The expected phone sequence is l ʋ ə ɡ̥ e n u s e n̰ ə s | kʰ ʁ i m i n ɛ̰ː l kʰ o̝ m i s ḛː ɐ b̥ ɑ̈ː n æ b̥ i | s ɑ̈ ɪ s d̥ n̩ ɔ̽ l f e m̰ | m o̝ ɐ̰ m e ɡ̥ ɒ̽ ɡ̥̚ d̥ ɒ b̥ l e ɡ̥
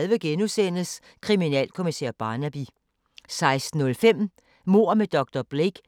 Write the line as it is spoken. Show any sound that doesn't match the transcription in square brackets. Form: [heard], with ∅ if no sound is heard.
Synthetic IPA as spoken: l ʋ ə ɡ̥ e n u s e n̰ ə s | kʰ ʁ i m i n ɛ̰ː l kʰ o̝ m i s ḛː ɐ b̥ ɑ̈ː n æ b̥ i | s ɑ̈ ɪ s d̥ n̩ ɔ̽ l f e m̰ | m o̝ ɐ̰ m e [d̥] ɒ̽ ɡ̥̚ d̥ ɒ b̥ l e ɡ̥